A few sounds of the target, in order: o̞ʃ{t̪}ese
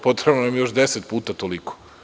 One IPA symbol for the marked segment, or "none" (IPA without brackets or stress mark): d̪